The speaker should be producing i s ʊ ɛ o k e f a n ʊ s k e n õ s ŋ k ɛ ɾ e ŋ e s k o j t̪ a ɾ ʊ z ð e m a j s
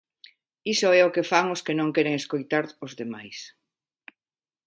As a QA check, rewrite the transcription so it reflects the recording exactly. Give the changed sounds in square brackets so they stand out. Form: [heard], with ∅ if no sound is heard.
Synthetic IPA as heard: i s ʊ ɛ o k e f a [ŋ] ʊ s k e n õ [∅] ŋ k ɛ ɾ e ŋ e s k o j t̪ a ɾ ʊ z ð e m a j s